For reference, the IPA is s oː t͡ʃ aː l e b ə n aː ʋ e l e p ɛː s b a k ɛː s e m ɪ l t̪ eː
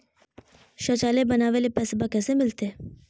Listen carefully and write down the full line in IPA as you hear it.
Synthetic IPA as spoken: ʃ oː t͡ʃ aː l e b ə n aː ʋ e l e p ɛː s b a k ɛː s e m ɪ l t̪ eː